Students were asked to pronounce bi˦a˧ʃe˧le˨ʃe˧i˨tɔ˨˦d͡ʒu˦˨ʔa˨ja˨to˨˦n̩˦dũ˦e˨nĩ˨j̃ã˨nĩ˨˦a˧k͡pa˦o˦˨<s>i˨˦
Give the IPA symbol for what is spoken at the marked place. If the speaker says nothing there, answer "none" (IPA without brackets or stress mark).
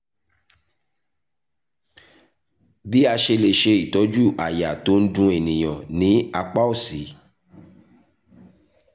s